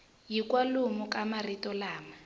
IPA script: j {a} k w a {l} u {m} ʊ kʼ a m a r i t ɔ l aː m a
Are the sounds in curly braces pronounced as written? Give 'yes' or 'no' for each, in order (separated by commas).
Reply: no, yes, yes